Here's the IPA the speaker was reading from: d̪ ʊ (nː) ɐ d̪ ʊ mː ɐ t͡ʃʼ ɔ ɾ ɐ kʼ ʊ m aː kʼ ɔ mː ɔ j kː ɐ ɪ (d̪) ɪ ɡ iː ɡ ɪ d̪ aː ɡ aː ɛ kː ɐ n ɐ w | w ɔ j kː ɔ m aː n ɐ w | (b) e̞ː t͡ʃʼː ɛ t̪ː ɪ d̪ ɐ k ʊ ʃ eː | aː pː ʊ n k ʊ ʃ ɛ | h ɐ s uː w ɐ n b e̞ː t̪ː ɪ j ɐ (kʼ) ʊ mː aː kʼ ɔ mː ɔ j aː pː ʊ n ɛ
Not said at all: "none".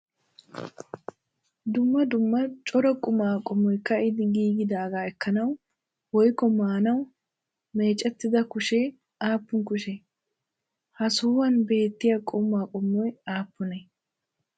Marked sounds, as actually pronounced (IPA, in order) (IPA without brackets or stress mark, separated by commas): mː, d̪, m, kʼ